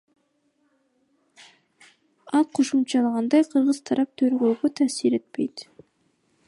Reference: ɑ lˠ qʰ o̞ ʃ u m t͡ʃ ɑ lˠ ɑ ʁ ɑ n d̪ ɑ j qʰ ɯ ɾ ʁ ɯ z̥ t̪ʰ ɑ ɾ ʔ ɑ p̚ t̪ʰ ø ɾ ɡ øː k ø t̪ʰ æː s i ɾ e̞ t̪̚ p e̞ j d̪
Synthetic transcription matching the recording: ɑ lˠ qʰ o̞ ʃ u m t͡ʃ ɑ lˠ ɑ ʁ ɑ n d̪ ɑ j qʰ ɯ ɾ ʁ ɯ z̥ t̪ʰ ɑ ɾ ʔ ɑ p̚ t̪ʰ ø ɾ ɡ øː ɡ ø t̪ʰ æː s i ɾ e̞ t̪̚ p e̞ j t̪